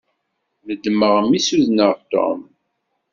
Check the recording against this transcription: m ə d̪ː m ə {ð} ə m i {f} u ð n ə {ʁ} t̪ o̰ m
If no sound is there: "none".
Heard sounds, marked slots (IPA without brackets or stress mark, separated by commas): ʁ, s, ʁ